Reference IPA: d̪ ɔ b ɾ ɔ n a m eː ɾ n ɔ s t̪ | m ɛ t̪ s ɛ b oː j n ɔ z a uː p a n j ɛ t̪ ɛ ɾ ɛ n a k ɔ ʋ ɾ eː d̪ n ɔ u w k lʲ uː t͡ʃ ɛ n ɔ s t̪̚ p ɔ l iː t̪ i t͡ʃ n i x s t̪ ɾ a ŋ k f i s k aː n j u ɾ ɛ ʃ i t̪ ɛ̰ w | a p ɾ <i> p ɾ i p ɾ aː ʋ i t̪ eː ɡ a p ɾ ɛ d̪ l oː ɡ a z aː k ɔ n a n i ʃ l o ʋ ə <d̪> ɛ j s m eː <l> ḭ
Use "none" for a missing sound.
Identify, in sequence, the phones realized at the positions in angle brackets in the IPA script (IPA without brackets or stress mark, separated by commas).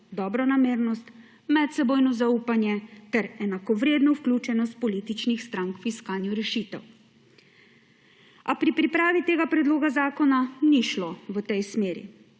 i, t̪, ɾ